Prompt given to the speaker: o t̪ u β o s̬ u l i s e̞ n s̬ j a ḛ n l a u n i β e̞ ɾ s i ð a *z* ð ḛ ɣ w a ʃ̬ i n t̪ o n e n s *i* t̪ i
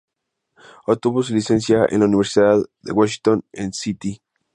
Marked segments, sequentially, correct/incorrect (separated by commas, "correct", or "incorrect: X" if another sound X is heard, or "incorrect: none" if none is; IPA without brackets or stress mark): incorrect: ð, correct